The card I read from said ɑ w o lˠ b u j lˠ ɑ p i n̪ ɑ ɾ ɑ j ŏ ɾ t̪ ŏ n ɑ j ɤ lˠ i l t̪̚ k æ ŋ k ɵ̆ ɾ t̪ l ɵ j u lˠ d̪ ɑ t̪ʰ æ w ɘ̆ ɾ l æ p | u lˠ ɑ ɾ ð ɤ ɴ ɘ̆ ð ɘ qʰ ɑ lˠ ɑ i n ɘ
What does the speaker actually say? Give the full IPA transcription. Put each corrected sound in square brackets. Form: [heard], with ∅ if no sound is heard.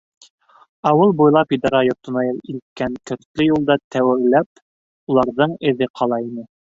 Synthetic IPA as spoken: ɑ w [ɤ] lˠ b u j lˠ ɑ p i [d̪] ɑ ɾ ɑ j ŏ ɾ t̪ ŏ n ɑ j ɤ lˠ i l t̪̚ k æ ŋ k ɵ̆ ɾ t̪ l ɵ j u lˠ d̪ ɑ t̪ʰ æ w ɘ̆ ɾ l æ p | u lˠ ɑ ɾ ð ɤ ɴ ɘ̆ ð ɘ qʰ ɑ lˠ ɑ i n ɘ